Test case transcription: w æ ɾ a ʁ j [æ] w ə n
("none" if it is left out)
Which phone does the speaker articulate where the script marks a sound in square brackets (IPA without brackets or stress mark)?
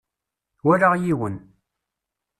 i